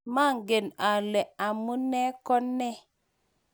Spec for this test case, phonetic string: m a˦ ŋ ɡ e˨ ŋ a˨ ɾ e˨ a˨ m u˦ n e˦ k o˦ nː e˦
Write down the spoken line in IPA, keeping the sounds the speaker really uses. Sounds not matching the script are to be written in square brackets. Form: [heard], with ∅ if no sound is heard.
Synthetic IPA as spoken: m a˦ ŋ ɡ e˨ [n] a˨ [l] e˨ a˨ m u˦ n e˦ k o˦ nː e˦